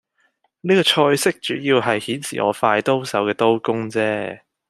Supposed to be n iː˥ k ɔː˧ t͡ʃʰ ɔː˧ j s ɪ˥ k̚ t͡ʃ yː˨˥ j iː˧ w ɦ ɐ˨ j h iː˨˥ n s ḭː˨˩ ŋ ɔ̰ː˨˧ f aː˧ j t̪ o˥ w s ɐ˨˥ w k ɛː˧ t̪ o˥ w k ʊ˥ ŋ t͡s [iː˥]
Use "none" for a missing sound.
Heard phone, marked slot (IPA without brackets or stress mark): ɛː˥